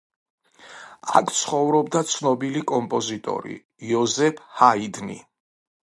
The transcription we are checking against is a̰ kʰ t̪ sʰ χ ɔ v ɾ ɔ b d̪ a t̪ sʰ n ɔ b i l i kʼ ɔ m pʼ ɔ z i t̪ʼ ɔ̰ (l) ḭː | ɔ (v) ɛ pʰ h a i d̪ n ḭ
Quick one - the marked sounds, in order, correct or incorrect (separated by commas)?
incorrect, incorrect